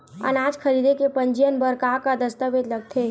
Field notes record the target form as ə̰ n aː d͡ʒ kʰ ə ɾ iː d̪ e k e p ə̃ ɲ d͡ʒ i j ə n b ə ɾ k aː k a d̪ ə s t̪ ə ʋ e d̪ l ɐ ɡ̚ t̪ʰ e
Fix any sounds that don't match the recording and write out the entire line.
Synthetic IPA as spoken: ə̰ n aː d͡ʒ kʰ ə ɾ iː d̪ e k e p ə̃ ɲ d͡ʒ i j ə n b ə ɾ k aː k a d̪ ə s t̪ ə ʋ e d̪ l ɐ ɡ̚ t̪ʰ e

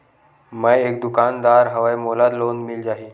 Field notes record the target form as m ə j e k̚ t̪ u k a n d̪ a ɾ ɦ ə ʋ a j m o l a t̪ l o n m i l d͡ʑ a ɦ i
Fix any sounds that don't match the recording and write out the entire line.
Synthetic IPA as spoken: m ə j e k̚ d̪ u k a n d̪ a ɾ ɦ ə ʋ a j m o l a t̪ l o n m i l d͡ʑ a ɦ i

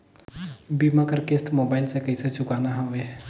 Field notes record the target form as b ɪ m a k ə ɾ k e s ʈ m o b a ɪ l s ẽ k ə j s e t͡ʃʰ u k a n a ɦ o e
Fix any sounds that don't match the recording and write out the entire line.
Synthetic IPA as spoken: b i m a k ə ɾ k e s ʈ m o b a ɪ l s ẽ k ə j s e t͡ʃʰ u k a n a ɦ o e

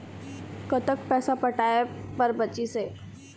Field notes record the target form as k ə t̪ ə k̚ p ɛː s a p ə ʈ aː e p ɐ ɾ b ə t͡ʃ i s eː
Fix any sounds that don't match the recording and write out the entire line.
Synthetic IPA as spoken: k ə t̪ ə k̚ p ɛː s a p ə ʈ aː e p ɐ ɾ b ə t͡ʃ i s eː

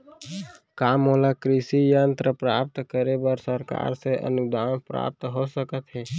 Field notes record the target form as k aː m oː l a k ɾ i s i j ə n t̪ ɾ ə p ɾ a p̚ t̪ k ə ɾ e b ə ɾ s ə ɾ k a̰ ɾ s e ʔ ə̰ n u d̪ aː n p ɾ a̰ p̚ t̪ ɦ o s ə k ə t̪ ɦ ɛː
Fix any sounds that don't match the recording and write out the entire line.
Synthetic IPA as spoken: k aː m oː l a k ɾ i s i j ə n t̪ ɾ ə p ɾ a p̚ t̪ k ə ɾ e b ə ɾ s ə ɾ k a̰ ɾ s e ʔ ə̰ n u d̪ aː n p ɾ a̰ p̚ t̪ ɦ o s ə k ə t̪ ɦ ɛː

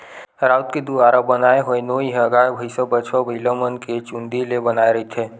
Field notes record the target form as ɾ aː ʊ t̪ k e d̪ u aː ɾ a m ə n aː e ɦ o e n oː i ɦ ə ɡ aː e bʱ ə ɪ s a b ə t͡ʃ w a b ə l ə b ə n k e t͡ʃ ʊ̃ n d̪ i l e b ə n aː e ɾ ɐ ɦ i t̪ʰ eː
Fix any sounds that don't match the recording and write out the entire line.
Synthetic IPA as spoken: ɾ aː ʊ t̪ k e d̪ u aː ɾ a b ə n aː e ɦ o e n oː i ɦ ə ɡ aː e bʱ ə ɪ s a b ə t͡ʃ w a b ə l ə m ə n k e t͡ʃ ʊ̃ n d̪ i l e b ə n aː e ɾ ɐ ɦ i t̪ʰ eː

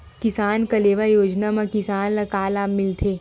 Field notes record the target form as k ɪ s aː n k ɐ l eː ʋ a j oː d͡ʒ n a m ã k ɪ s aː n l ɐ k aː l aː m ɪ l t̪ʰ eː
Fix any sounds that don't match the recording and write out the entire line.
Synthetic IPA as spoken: k ɪ s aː n k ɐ l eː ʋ a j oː d͡ʒ n a m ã k ɪ s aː n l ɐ k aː l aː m ɪ l t̪ʰ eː

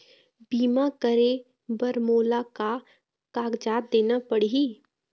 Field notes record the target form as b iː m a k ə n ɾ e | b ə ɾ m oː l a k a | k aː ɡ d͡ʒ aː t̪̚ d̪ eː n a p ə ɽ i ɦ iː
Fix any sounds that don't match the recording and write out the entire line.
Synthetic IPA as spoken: b iː m a k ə ɾ e | b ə ɾ m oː l a k a | k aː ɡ d͡ʒ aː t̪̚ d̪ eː n a p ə ɽ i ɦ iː

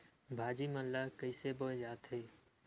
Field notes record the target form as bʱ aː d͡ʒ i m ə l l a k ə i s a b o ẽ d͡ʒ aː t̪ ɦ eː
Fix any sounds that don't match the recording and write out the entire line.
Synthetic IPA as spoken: bʱ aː d͡ʒ i m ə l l a k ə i s e b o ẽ d͡ʒ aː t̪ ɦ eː

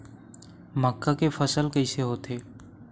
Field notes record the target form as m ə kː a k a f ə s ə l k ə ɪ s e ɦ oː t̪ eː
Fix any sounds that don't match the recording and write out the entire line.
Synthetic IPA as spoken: m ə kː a k e f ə s ə l k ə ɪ s e ɦ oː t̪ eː

